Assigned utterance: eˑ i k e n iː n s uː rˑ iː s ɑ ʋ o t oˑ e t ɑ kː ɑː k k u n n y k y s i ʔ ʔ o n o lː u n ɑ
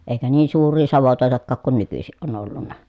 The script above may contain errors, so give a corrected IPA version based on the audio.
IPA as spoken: eˑ i k æ n iː n s uː rˑ iː s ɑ ʋ o t oˑ e t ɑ kː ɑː k k u n n y k y s i ʔ ʔ o n o lː u nː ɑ